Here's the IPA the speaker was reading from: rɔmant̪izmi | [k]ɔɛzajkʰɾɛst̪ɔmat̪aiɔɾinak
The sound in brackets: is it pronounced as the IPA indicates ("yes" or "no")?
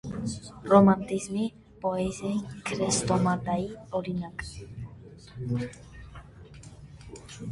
no